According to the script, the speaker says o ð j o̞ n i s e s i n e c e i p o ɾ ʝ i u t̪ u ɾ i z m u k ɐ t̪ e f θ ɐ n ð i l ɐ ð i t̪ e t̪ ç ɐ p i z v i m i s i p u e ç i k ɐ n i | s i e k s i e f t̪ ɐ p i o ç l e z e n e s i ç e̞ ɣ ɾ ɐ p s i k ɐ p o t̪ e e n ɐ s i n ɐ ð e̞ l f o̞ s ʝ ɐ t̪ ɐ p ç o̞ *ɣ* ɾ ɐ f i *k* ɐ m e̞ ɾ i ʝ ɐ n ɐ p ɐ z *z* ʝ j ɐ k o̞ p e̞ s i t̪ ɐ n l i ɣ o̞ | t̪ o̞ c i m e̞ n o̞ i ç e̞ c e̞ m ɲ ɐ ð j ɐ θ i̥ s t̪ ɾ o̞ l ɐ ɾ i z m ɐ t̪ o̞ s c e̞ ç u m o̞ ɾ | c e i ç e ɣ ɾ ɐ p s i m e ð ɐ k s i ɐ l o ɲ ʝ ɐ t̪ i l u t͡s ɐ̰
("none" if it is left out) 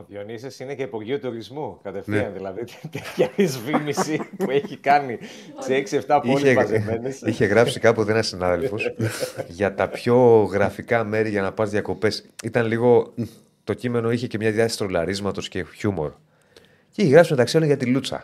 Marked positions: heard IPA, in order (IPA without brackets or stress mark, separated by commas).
ɣ, k, ð